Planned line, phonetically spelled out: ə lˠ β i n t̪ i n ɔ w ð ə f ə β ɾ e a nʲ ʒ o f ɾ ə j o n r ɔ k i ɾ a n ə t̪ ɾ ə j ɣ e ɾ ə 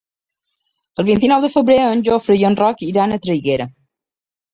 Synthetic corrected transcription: ə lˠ β i n t̪ i n ɔ w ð ə f ə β ɾ e ə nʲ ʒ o f ɾ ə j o n r ɔ k i ɾ a n ə t̪ ɾ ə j ɣ e ɾ ə